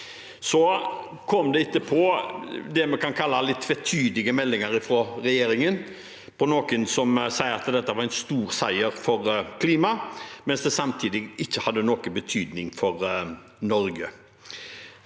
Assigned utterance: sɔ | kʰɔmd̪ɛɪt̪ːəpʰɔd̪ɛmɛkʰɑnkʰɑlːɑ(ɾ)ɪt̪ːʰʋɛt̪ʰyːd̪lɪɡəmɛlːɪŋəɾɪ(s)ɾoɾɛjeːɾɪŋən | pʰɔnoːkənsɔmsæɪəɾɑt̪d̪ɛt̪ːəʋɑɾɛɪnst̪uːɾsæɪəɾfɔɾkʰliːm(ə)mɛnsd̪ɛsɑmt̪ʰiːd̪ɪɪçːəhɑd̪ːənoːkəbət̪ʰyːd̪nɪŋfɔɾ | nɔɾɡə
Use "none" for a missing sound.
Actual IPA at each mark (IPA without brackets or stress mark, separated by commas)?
l, f, ɑ